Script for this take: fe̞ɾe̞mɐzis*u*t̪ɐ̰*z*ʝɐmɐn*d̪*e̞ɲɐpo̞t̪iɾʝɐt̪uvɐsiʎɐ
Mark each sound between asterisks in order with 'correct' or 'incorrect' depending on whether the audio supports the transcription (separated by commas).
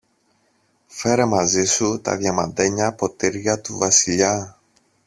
correct, incorrect, correct